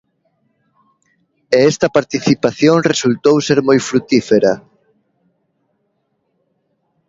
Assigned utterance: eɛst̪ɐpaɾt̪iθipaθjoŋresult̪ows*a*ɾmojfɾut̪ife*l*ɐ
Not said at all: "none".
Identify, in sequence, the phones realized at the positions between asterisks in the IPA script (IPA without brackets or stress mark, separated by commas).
e, ɾ